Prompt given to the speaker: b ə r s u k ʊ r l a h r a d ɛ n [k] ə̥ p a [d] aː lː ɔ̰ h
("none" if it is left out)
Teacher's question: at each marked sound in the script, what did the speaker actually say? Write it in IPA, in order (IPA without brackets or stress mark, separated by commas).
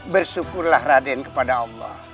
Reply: k, d